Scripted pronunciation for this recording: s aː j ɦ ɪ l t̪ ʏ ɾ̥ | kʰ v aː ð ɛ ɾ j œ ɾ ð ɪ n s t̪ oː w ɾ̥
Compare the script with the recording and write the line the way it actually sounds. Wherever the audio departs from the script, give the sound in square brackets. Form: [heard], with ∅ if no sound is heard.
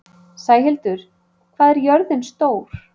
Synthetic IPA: s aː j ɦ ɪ l t̪ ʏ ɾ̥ | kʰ v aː ð ɛ ɾ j œ ɾ ð ɪ n s t̪ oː w ɾ̥

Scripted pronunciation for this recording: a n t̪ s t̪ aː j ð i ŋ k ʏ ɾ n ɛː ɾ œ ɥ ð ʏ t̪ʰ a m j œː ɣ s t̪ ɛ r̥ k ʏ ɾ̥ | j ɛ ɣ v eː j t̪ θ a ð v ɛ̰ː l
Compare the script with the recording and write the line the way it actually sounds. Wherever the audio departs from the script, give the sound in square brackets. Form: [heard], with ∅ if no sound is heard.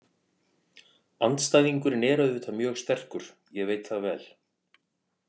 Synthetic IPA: a n t̪ s t̪ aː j ð i ŋ k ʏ ɾ n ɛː ɾ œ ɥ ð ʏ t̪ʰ a m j œː ɣ s t̪ ɛ r̥ k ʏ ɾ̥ | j ɛ ɣ v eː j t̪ θ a ð v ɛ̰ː l

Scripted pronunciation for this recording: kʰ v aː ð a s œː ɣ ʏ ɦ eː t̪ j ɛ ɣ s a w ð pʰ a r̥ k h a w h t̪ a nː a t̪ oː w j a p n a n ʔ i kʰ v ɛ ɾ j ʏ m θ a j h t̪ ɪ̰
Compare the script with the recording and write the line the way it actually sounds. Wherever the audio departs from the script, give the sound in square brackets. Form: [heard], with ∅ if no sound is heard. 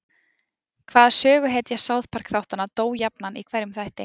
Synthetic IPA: kʰ v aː ð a s œː ɣ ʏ ɦ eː t̪ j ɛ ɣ s a w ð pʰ a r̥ k [θ] a w h t̪ a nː a t̪ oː w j a p n a n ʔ i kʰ v ɛ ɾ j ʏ m θ a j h t̪ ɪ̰

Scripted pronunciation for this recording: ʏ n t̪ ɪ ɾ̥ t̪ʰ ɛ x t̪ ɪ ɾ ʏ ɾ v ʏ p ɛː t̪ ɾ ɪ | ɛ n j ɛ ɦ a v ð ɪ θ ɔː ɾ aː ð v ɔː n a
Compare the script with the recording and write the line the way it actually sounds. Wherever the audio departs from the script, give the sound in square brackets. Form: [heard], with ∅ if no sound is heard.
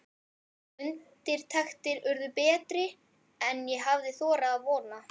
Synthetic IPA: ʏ n t̪ ɪ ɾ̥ t̪ʰ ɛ x t̪ ɪ ɾ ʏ ɾ [ð] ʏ p ɛː t̪ ɾ ɪ | ɛ n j ɛ ɦ a v ð ɪ θ ɔː ɾ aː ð v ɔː n a

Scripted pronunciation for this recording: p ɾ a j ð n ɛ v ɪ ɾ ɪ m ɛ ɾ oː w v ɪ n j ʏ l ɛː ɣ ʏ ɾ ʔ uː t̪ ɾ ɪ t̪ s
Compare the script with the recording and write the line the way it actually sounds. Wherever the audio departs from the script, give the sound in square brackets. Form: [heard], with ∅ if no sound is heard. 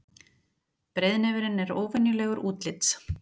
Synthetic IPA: p ɾ [e] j ð n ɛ v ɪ ɾ ɪ [n] ɛ ɾ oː w v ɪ n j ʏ l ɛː ɣ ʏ ɾ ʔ uː t̪ [l] ɪ t̪ s

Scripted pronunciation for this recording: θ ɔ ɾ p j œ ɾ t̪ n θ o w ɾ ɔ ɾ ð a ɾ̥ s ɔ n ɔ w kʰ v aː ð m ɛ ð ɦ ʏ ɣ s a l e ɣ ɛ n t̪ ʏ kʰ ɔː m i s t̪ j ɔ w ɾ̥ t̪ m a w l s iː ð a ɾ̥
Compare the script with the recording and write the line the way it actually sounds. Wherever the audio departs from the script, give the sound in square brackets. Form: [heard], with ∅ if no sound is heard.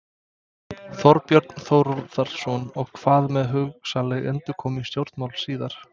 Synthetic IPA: θ ɔ ɾ p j œ ɾ t̪ n θ o w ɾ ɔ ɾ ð a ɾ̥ s ɔ n ɔ [ɣ] kʰ v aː ð m ɛ ð ɦ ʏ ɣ s a l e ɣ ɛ n t̪ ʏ kʰ ɔː m i s t̪ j [o] w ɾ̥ t̪ m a w l s iː ð a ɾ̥

